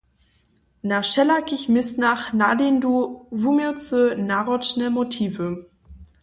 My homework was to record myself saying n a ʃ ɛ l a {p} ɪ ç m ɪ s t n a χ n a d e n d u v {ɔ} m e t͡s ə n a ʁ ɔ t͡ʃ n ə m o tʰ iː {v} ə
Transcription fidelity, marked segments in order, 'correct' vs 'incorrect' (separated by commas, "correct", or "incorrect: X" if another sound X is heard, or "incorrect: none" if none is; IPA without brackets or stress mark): incorrect: k, incorrect: u, correct